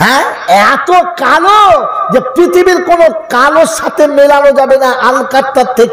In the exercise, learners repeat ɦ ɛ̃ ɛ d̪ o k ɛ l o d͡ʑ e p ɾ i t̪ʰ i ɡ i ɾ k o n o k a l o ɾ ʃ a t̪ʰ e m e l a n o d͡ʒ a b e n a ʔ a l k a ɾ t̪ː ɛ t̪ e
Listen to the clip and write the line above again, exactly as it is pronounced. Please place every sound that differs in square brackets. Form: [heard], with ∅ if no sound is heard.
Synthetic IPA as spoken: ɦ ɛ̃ ɛ [t̪] o k [a] l o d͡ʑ e p ɾ i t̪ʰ i [b] i ɾ k o n o k a l o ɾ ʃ a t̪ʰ e m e l a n o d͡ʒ a b e n a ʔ a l k a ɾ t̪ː [a] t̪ e

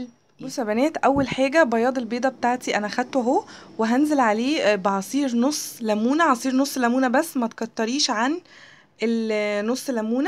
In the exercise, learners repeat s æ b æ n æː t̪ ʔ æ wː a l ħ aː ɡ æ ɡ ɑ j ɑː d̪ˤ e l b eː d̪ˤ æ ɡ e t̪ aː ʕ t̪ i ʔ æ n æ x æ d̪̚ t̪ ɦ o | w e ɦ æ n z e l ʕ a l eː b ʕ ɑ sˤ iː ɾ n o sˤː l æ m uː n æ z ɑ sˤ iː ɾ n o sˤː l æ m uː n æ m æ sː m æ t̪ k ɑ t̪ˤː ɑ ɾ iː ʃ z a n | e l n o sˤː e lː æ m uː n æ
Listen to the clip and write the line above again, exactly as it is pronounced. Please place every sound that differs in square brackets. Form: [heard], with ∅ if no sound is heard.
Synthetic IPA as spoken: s æ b æ n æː t̪ ʔ æ wː [æ] l ħ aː ɡ æ [b] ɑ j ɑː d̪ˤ e l b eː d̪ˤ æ [b] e t̪ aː ʕ t̪ i ʔ æ n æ x æ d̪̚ t̪ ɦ o | w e ɦ æ n z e l ʕ a l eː b ʕ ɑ sˤ iː ɾ n o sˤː l æ m uː n æ [ʕ] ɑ sˤ iː ɾ n o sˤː l æ m uː n æ [b] æ sː m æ t̪ k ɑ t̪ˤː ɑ ɾ iː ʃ [ʕ] a n | e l n o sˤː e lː æ m uː n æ

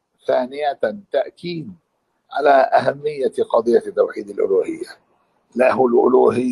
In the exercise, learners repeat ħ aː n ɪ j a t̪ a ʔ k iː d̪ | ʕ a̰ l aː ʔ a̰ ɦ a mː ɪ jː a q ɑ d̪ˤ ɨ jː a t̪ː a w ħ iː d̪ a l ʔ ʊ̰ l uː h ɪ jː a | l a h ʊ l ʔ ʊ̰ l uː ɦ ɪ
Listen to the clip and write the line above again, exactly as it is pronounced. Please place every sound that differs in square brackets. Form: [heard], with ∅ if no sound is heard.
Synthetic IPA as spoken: [θ] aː n ɪ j a t̪ a ʔ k iː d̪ | ʕ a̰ l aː ʔ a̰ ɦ a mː ɪ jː a q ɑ d̪ˤ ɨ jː a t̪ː a w ħ iː d̪ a l ʔ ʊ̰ l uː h ɪ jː a | l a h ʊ l ʔ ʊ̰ l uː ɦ ɪ

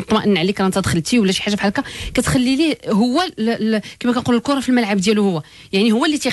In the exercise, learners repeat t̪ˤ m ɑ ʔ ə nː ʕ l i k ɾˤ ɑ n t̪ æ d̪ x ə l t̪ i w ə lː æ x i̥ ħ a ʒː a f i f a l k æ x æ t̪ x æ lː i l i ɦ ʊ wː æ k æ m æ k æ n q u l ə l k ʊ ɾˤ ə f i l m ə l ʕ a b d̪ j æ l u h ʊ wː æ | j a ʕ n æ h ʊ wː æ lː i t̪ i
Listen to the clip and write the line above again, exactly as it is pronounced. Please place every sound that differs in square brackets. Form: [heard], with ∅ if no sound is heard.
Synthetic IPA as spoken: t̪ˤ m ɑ ʔ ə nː ʕ l i k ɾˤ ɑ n t̪ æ d̪ x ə l t̪ i w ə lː æ [ʃ] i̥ ħ a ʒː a f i [ħ] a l k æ [k] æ t̪ x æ lː i l i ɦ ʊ wː æ k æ m æ k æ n q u l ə l k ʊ ɾˤ [ɑ] f i l m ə l ʕ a b d̪ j æ l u h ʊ wː æ | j a ʕ n [i] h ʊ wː æ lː i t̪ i

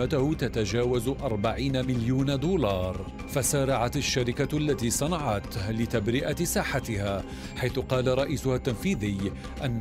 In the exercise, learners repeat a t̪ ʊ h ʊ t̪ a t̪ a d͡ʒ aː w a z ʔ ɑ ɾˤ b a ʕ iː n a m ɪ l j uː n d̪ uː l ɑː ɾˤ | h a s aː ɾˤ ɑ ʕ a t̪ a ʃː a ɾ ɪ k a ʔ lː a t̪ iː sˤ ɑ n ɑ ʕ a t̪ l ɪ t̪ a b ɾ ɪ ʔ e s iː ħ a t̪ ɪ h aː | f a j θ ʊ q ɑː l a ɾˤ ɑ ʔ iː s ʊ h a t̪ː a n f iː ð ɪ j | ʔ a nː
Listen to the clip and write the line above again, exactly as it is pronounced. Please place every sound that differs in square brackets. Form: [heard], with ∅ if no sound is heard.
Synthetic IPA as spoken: a t̪ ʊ h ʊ t̪ a t̪ a d͡ʒ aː w a z ʔ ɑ ɾˤ b a ʕ iː n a m ɪ l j uː n d̪ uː l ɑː ɾˤ | [f] a s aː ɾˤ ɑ ʕ a t̪ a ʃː a ɾ ɪ k a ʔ lː a t̪ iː sˤ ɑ n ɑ ʕ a t̪ l ɪ t̪ a b ɾ ɪ ʔ [a] s [aː] ħ a t̪ ɪ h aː | [ħ] a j θ ʊ q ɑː l a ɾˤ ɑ ʔ iː s ʊ h a t̪ː a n f iː ð ɪ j | ʔ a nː

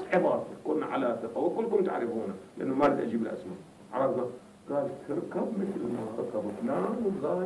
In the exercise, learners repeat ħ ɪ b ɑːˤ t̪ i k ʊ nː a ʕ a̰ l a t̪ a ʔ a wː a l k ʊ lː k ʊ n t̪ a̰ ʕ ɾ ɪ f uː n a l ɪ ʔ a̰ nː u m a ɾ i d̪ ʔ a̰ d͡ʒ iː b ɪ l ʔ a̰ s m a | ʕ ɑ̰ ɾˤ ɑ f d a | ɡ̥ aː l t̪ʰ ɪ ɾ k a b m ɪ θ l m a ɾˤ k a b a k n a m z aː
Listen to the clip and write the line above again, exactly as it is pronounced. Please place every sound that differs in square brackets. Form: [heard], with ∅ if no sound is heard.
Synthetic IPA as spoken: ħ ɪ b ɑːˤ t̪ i k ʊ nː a ʕ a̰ l a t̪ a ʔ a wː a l k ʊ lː k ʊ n t̪ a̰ ʕ ɾ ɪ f uː n a l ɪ ʔ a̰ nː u m a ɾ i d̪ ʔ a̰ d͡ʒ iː b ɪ l ʔ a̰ s m a | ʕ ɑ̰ ɾˤ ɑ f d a | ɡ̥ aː l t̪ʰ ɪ ɾ k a b m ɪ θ l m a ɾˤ k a b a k n a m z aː

